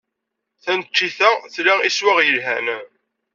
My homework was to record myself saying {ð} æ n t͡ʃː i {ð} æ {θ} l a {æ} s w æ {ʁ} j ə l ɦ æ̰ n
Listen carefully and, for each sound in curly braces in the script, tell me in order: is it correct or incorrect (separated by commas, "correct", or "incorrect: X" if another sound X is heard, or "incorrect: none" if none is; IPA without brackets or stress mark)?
incorrect: θ, incorrect: θ, correct, incorrect: i, correct